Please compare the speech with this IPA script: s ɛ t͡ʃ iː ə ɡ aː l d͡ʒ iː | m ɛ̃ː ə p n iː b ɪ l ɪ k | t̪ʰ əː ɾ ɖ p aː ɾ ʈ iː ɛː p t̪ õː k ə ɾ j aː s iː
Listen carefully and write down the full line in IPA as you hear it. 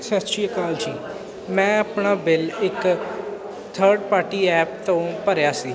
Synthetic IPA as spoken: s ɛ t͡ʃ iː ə k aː l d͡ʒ iː | m ɛ̃ː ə p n aː b ɪ l ɪ k | t̪ʰ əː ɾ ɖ p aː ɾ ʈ iː ɛː p t̪ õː p ə ɾ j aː s iː